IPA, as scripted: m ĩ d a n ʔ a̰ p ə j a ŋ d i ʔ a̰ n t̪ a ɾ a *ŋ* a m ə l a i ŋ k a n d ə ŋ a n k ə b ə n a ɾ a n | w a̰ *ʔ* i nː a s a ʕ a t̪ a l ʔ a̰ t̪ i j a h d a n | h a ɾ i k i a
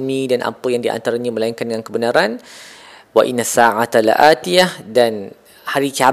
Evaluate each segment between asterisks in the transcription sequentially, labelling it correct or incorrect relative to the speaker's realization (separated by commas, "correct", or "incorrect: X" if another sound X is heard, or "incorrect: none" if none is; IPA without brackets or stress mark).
incorrect: ɲ, correct